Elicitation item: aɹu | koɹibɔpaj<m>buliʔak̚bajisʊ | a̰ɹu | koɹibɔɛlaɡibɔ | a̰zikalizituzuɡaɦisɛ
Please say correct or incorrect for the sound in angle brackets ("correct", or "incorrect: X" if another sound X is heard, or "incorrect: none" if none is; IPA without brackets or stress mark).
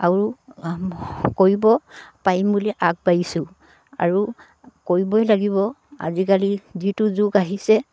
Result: correct